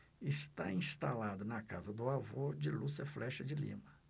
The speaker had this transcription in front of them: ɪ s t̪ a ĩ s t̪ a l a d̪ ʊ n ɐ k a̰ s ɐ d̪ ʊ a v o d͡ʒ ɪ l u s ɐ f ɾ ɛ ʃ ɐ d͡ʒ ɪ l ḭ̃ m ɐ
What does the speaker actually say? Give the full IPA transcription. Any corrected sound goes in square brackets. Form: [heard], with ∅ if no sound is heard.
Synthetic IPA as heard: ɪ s t̪ a ĩ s t̪ a l a d̪ ʊ n ɐ k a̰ [z] ɐ d̪ ʊ a v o d͡ʒ ɪ l u s ɐ f [l] ɛ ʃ ɐ d͡ʒ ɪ l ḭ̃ m ɐ